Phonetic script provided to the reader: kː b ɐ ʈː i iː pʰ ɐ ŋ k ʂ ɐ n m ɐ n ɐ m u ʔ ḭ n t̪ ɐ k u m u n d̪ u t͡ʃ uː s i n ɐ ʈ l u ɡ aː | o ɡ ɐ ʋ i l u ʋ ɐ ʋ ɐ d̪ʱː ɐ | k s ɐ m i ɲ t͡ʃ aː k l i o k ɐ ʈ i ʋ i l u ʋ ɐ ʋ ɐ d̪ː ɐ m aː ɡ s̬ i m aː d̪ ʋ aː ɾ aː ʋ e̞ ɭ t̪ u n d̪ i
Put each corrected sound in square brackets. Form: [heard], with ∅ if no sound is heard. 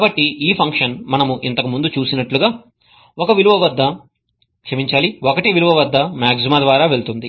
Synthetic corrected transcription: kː b ɐ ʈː i iː pʰ ɐ ŋ k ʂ ɐ n m ɐ n ɐ m u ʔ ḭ n t̪ ɐ k u m u n d̪ u t͡ʃ uː s i n ɐ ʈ l u ɡ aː | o [k] ɐ ʋ i l u ʋ ɐ ʋ ɐ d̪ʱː ɐ | k [ʂ] ɐ m i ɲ t͡ʃ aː [∅] l i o k ɐ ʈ i ʋ i l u ʋ ɐ ʋ ɐ d̪ː ɐ m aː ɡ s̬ i m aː d̪ ʋ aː ɾ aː ʋ e̞ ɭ t̪ u n d̪ i